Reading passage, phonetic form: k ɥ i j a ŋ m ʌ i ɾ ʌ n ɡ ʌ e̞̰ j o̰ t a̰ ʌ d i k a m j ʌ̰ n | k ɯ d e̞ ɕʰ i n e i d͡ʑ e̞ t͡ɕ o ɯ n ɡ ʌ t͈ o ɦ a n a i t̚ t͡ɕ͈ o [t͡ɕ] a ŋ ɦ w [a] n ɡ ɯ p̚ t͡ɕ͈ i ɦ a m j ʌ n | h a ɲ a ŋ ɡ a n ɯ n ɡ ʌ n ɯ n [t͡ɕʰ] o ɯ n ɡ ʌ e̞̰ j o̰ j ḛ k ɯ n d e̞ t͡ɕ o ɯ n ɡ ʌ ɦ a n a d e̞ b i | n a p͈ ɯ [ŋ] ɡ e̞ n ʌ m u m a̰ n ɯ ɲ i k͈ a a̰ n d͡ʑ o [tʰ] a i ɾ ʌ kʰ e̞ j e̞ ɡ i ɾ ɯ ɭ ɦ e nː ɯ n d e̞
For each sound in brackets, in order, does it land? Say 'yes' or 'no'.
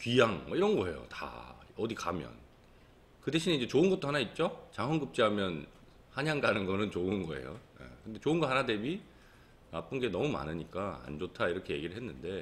yes, no, no, no, yes

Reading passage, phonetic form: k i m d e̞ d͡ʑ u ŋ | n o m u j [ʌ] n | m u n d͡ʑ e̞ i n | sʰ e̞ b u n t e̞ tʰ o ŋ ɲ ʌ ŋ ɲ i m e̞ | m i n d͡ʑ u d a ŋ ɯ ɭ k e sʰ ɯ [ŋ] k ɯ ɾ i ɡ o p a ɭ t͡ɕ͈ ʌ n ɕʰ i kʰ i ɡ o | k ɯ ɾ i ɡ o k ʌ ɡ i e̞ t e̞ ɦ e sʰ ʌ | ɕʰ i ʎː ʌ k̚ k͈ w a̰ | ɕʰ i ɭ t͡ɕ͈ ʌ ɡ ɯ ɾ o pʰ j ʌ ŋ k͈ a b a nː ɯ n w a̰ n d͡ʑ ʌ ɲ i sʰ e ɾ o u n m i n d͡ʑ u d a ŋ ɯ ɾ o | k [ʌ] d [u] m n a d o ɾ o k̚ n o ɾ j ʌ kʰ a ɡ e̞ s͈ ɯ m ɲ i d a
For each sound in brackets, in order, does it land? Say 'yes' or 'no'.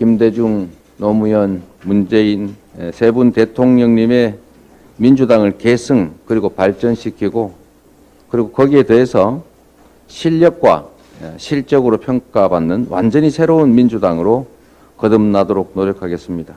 yes, yes, yes, no

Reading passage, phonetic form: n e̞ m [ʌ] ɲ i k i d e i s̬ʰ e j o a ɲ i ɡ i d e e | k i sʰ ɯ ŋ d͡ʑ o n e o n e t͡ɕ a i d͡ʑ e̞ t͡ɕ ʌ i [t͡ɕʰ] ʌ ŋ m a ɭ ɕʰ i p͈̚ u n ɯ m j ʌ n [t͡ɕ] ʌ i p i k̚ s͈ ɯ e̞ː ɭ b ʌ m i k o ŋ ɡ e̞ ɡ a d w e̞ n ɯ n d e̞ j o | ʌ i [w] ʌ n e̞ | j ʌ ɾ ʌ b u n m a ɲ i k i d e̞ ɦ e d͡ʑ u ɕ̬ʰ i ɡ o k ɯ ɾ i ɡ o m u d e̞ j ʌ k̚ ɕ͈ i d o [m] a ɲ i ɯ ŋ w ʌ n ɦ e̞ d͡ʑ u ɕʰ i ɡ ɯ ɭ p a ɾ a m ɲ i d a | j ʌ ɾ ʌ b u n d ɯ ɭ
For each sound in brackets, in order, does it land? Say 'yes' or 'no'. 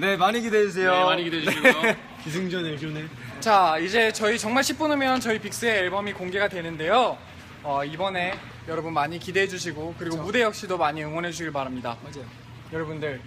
no, no, yes, no, yes

